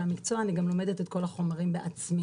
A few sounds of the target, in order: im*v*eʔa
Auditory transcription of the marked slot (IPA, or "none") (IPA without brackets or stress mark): b